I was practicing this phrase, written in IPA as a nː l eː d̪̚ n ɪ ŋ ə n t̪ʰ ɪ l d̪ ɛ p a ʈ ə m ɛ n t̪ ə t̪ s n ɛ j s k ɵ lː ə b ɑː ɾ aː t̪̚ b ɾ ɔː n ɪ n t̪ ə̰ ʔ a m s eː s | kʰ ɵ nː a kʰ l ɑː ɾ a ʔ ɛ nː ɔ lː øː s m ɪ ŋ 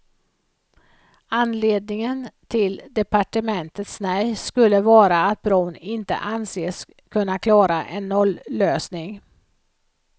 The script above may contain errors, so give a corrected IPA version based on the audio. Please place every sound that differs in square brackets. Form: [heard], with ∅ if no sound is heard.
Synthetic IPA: a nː l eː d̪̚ n ɪ ŋ ə n t̪ʰ ɪ l d̪ ɛ p a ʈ ə m ɛ n t̪ ə t̪ s n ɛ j s k ɵ lː ə [v] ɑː ɾ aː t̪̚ b ɾ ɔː n ɪ n t̪ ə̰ ʔ a [n] s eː s | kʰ ɵ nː a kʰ l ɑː ɾ a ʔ ɛ nː ɔ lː øː s [n] ɪ ŋ